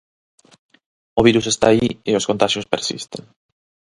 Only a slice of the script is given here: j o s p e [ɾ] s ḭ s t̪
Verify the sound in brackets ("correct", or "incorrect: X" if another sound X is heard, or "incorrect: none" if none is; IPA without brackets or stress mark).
correct